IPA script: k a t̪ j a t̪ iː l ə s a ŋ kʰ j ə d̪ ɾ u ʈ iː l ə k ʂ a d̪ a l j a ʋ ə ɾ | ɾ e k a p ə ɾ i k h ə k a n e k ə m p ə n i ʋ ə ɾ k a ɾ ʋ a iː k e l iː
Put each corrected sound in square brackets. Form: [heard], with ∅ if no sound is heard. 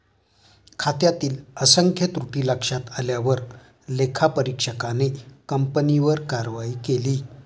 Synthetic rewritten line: [kʰ] a t̪ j a t̪ iː l ə s [ə] ŋ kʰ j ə [t̪] ɾ u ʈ iː l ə k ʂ a [t̪] a l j a ʋ ə ɾ | [l] e [kʰ] a p ə ɾ i k [ʂ] ə k a n e k ə m p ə n i ʋ ə ɾ k a ɾ ʋ a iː k e l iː

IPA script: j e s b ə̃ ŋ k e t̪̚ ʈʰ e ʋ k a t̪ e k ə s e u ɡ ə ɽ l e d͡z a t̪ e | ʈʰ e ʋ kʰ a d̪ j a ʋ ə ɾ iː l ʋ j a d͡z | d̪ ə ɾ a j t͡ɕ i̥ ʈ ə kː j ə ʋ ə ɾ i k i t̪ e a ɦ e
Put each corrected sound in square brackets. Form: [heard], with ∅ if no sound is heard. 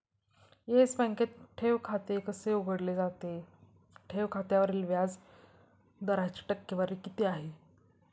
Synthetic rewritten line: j e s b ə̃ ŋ k e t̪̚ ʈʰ e ʋ [kʰ] a t̪ e k ə s e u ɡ ə ɽ l e d͡z a t̪ e | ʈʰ e ʋ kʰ a [t̪] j a ʋ ə ɾ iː l ʋ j a d͡z | d̪ ə ɾ a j t͡ɕ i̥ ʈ ə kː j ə ʋ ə ɾ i k i t̪ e a ɦ e

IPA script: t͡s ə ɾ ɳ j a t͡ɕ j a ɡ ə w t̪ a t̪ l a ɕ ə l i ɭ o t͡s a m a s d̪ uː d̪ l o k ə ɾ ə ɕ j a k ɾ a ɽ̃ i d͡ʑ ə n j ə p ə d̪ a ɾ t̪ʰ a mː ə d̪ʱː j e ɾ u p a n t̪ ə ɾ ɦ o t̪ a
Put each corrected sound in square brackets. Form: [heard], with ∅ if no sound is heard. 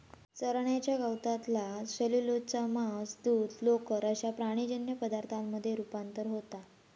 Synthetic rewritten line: t͡s ə ɾ ɳ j a t͡ɕ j a ɡ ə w t̪ a t̪ l a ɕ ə l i [l] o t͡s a m a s d̪ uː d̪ l o k ə ɾ ə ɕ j a [p] ɾ a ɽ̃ i d͡ʑ ə n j ə p ə d̪ a ɾ t̪ʰ a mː ə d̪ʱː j e ɾ u p a n t̪ ə ɾ ɦ o t̪ a

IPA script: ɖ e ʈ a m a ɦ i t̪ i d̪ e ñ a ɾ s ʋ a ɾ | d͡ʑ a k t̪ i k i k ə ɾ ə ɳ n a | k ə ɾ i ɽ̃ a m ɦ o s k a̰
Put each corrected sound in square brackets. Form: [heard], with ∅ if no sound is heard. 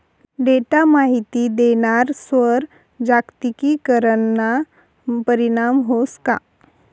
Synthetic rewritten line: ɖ e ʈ a m a ɦ i t̪ i d̪ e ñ a ɾ s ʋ [ə] ɾ | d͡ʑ a k t̪ i k i k ə ɾ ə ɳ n a | [p] ə ɾ i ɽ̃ a m ɦ o s k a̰

